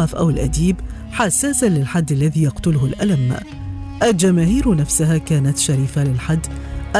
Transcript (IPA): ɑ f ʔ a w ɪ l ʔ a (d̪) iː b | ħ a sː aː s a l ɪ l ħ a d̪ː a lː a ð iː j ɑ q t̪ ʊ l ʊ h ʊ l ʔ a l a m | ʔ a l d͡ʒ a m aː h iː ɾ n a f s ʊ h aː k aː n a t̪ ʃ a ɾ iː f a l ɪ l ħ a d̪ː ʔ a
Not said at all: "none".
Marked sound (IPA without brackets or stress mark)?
d̪